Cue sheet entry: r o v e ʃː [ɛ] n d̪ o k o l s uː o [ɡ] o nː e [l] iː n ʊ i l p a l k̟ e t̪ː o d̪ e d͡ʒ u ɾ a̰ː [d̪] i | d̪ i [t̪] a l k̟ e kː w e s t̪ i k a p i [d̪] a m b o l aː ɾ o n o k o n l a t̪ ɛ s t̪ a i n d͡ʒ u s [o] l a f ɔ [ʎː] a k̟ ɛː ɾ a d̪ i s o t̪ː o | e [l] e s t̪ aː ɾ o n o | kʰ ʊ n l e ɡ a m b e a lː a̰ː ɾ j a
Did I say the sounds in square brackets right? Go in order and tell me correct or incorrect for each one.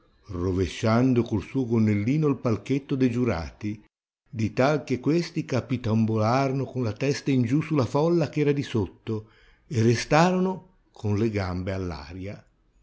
incorrect: a, correct, incorrect: lː, incorrect: t̪, correct, incorrect: t̪, incorrect: u, incorrect: lː, incorrect: r

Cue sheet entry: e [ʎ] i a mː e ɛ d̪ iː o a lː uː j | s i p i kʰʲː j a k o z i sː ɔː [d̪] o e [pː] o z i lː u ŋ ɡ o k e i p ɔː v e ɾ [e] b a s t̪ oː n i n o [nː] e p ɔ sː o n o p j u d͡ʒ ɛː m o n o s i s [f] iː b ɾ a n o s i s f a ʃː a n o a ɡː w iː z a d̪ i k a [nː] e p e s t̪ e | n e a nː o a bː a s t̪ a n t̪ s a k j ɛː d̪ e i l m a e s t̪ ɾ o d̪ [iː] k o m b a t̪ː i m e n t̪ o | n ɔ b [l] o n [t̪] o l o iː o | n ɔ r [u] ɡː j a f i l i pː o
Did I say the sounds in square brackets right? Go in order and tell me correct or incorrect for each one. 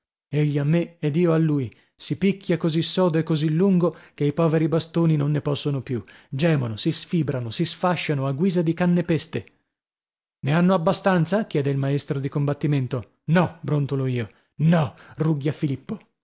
incorrect: ʎː, correct, incorrect: kː, incorrect: i, correct, correct, correct, incorrect: i, incorrect: ɾ, correct, correct

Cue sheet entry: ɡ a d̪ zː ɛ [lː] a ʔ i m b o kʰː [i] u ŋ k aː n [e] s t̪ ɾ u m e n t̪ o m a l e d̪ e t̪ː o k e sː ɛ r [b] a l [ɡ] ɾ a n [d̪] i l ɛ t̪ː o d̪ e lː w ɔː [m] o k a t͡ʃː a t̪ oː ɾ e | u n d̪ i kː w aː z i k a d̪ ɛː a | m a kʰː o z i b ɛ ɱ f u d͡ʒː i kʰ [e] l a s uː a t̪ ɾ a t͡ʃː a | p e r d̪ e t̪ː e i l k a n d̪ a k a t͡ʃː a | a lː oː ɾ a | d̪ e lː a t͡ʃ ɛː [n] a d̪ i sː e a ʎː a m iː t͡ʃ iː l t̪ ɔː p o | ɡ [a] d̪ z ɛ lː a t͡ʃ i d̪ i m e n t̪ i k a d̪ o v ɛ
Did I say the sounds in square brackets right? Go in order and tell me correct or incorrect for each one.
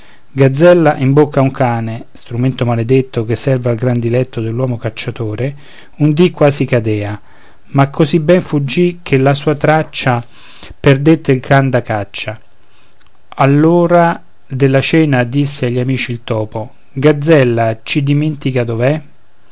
correct, incorrect: a, correct, incorrect: v, correct, correct, correct, correct, correct, correct

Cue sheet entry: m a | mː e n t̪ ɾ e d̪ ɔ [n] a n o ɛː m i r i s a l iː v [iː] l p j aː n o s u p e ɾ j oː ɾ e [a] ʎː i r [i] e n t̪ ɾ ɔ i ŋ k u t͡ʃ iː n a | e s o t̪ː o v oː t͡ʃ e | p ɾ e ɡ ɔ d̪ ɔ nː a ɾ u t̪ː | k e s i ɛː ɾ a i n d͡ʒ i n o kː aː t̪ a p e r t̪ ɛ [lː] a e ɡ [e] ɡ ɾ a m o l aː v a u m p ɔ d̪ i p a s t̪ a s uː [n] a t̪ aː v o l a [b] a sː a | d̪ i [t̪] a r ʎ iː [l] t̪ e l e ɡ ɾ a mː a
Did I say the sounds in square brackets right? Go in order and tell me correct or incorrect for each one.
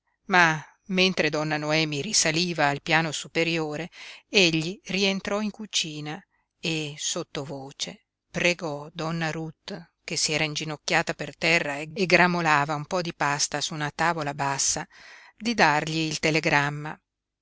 incorrect: nː, incorrect: aː, incorrect: e, correct, incorrect: rː, correct, correct, correct, incorrect: d̪, correct

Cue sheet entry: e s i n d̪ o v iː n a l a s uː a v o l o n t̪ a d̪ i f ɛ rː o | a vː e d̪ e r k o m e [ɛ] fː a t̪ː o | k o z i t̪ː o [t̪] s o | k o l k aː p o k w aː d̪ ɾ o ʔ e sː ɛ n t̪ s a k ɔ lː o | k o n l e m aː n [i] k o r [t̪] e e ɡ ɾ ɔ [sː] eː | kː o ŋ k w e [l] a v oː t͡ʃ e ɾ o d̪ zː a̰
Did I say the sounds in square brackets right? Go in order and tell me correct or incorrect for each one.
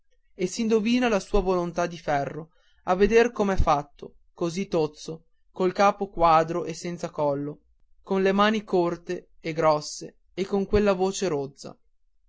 correct, correct, correct, correct, correct, incorrect: lː

